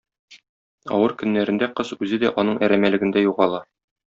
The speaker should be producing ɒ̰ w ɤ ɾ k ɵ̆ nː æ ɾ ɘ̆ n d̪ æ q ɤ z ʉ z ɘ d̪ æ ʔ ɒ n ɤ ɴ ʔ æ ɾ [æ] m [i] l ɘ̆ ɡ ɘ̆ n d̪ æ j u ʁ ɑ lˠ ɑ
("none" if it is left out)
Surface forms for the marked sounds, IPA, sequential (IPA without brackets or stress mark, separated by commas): æ, æ